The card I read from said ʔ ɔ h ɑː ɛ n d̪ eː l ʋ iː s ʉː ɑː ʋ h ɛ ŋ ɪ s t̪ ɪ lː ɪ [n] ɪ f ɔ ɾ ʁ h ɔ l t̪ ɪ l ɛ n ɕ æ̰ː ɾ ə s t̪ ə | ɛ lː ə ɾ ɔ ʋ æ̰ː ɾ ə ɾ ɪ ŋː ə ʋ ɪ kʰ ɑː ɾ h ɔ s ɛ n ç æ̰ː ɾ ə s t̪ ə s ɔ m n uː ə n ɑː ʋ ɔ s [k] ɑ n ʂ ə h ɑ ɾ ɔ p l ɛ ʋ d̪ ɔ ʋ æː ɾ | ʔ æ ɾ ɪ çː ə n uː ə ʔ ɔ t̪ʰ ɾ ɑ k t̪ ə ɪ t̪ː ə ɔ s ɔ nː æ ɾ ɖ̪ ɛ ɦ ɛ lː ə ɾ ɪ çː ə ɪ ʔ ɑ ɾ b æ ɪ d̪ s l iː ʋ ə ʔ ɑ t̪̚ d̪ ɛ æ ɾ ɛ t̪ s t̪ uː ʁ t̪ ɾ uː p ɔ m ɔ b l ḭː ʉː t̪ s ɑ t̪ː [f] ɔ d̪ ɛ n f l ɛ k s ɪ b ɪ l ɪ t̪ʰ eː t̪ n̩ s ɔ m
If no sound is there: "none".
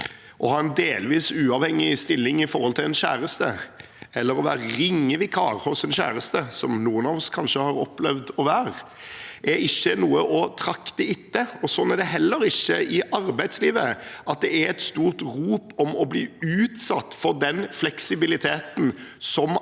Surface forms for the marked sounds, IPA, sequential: ŋ, kʰ, f

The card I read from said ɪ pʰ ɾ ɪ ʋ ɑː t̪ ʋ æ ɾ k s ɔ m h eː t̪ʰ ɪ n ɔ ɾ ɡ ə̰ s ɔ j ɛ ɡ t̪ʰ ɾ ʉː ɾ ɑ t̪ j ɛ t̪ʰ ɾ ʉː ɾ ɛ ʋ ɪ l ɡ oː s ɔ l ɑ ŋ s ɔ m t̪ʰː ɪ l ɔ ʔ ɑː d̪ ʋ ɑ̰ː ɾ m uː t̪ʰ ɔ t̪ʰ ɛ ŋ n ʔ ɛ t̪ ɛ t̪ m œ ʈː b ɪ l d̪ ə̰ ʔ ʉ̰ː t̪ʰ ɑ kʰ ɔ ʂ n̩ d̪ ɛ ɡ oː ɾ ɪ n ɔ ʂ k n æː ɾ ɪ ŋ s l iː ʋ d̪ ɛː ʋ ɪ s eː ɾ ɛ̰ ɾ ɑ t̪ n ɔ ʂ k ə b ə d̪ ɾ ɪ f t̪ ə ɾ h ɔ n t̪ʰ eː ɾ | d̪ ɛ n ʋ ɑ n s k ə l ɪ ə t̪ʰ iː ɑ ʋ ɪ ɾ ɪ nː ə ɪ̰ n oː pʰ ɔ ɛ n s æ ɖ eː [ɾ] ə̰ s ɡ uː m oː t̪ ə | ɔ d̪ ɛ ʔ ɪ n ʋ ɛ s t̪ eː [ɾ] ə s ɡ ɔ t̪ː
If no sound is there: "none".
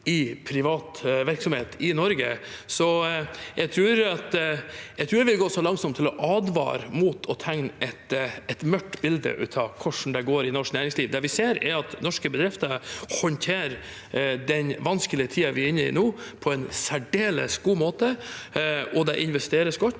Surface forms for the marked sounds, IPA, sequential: l, ɾ

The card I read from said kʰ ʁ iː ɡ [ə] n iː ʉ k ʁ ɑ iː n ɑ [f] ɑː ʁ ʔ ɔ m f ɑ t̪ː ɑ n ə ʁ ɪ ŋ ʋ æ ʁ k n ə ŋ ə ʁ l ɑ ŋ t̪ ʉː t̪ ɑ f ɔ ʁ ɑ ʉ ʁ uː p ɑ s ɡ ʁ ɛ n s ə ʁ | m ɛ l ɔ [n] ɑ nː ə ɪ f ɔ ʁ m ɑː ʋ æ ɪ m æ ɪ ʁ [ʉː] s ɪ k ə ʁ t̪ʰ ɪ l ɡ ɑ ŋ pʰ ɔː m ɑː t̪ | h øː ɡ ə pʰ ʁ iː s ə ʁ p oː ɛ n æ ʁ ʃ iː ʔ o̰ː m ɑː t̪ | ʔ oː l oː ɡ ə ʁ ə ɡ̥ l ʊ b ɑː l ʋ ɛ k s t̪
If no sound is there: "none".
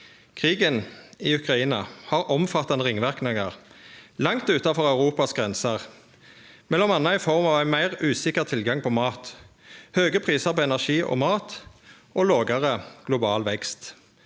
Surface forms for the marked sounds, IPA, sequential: ə, h, m, ʉː

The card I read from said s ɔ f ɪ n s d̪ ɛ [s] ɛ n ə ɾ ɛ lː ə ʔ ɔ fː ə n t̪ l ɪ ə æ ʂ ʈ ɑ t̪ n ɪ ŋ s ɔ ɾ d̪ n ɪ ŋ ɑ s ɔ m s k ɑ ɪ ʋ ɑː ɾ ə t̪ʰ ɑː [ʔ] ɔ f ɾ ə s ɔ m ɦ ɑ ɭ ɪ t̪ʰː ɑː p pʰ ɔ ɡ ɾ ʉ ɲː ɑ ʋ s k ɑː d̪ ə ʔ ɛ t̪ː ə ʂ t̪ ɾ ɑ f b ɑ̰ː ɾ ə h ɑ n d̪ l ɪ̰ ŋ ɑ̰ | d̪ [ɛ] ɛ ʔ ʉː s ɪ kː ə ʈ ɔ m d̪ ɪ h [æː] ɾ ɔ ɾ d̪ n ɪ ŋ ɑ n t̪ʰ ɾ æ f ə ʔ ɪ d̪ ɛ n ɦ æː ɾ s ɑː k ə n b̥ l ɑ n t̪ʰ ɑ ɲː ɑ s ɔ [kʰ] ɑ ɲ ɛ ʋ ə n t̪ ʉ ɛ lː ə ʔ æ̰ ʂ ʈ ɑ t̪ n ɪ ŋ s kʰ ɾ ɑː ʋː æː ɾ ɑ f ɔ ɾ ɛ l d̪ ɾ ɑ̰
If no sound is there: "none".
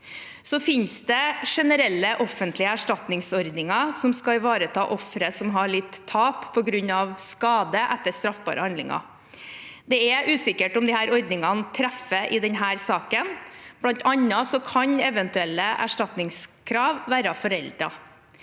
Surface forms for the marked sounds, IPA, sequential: ʂ, ʔ, ɛ, æː, kʰ

